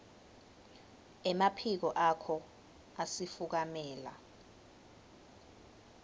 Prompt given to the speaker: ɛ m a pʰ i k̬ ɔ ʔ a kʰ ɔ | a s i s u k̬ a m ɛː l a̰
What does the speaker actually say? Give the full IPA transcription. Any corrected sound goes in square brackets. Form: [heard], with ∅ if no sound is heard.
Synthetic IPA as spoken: ɛ m a pʰ i k̬ ɔ ʔ a kʰ ɔ | a s i [f] u k̬ a m ɛː l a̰